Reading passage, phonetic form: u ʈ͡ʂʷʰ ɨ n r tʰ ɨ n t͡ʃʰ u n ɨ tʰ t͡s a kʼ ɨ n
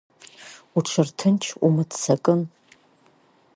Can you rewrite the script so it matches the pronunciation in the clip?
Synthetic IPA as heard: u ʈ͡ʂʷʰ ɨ r tʰ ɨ n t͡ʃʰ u m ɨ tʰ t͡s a kʼ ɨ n